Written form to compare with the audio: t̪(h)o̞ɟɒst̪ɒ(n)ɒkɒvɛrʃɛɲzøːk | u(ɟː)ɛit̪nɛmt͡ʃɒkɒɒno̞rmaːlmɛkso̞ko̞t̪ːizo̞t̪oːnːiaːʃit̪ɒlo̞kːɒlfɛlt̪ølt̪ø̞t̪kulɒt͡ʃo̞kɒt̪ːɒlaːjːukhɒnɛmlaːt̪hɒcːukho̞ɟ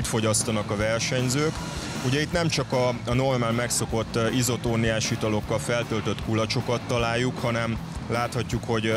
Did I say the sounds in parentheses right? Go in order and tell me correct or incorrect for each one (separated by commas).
incorrect, correct, incorrect